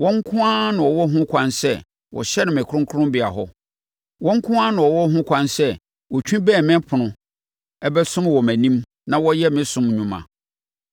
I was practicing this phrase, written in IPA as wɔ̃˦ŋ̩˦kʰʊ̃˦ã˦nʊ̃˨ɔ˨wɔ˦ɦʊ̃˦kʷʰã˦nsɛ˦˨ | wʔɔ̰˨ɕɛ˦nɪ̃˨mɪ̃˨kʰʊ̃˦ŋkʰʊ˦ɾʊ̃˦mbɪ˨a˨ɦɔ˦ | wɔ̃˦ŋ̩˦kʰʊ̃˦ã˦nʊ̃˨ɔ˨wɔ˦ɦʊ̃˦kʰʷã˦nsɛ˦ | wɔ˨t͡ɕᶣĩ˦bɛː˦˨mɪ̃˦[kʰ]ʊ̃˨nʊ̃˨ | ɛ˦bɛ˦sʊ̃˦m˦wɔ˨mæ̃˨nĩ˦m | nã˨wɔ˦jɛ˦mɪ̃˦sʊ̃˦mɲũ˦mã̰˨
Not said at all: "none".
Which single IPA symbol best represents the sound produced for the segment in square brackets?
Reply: pʰ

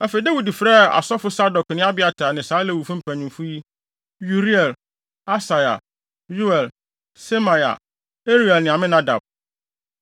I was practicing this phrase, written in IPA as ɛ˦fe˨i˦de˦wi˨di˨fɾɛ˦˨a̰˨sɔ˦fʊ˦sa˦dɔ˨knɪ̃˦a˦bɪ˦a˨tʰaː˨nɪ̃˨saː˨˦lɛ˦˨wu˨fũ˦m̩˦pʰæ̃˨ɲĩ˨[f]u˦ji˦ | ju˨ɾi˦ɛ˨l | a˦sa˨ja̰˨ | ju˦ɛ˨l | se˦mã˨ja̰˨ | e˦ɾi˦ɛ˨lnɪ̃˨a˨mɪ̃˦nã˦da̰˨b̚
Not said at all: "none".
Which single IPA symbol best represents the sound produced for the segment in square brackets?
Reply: f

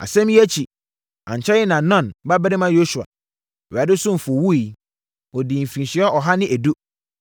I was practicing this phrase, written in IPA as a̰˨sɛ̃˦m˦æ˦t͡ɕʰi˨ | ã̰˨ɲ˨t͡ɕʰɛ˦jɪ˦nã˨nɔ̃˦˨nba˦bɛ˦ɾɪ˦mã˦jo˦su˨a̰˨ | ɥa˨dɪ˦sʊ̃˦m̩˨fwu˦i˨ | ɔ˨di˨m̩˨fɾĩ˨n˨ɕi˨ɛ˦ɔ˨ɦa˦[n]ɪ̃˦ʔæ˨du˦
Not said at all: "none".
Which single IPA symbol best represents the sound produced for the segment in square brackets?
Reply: n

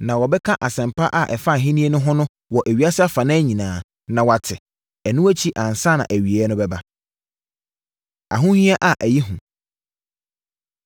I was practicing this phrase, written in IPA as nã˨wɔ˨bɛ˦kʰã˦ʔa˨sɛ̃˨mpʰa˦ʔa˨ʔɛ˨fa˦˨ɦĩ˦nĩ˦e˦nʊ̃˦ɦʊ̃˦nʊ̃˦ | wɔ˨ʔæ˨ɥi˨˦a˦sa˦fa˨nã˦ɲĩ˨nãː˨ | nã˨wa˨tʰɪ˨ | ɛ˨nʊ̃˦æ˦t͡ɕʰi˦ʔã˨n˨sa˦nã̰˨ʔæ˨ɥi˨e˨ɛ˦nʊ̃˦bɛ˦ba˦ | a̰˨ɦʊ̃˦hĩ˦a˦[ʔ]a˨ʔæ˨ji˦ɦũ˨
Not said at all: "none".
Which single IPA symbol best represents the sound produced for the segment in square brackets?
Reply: ʔ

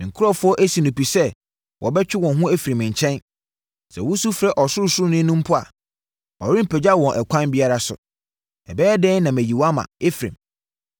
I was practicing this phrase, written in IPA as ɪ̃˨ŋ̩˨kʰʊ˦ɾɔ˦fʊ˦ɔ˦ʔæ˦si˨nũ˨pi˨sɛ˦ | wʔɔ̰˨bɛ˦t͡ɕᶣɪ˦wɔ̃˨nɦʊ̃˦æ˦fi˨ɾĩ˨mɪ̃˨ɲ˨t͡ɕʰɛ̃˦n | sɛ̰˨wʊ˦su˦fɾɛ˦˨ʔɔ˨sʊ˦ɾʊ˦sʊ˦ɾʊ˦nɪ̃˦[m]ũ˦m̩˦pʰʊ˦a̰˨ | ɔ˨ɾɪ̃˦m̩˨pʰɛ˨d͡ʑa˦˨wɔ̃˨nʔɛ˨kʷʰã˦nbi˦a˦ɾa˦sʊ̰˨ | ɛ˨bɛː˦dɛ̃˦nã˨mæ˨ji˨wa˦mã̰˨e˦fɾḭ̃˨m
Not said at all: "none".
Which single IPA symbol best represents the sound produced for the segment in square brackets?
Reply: n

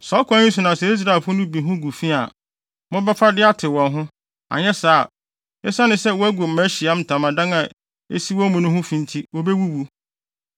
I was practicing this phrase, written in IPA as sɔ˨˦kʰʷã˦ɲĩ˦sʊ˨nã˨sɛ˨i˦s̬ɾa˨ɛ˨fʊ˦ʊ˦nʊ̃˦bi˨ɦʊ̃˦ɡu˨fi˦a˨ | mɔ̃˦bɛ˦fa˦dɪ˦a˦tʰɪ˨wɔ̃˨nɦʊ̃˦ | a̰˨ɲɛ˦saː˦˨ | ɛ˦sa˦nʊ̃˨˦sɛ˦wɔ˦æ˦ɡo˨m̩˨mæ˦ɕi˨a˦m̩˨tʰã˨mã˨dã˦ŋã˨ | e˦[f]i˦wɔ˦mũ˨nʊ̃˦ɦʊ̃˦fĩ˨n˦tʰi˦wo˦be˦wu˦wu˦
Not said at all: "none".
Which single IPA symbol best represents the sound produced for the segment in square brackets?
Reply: s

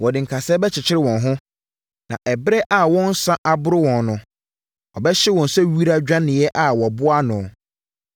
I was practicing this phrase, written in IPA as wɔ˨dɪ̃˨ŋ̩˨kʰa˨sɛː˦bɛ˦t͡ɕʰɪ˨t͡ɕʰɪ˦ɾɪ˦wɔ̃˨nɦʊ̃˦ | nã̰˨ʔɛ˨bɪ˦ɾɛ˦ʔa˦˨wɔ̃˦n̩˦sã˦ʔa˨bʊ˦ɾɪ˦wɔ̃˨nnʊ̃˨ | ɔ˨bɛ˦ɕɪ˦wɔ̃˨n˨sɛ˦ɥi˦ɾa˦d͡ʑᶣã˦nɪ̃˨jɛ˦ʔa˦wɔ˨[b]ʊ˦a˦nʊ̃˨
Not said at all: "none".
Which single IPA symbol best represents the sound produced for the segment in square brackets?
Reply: b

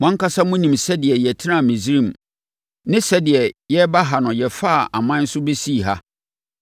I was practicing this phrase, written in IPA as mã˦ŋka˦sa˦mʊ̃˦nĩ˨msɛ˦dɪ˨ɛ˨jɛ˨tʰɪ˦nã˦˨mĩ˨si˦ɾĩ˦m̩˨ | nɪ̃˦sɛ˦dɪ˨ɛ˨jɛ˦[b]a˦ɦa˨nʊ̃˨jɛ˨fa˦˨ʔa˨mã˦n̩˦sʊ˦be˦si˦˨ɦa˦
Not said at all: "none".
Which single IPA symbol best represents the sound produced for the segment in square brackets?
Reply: b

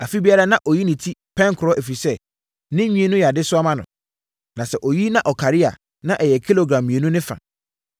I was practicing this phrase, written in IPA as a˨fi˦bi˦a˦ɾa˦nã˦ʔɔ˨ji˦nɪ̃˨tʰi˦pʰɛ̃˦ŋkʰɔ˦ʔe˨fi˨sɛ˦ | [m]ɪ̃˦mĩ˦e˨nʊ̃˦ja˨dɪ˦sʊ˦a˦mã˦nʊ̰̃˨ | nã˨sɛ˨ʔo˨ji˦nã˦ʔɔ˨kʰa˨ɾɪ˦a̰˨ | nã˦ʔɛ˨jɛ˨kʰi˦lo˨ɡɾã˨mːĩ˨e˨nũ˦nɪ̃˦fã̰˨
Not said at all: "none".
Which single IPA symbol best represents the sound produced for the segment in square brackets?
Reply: n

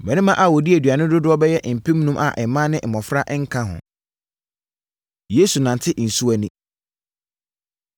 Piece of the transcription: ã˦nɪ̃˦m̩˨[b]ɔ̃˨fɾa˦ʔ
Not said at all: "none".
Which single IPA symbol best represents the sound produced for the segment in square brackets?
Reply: m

